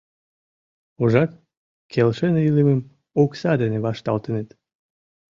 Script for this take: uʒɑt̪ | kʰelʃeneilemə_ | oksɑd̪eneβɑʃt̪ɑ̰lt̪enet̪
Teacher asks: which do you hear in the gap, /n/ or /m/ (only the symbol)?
m